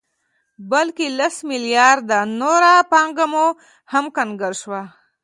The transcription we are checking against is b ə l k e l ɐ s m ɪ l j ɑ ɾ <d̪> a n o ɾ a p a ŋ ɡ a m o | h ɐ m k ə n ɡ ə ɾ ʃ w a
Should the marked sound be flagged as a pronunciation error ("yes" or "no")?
no